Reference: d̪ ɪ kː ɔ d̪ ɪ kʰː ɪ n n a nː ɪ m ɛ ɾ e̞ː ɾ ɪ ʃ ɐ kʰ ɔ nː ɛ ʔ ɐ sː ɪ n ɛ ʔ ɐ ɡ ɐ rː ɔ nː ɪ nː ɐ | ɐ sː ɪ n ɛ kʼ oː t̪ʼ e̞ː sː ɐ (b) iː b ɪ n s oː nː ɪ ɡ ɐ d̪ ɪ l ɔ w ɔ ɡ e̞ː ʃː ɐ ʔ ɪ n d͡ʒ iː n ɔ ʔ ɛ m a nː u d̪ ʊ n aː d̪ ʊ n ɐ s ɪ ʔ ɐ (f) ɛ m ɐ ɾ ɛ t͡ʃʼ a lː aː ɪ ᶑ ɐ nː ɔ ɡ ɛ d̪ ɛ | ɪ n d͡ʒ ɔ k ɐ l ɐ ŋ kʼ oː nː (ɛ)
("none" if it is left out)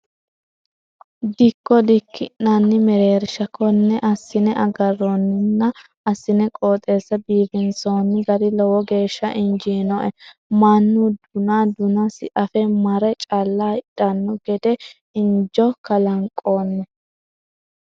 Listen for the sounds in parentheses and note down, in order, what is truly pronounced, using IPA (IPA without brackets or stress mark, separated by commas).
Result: b, f, ɛ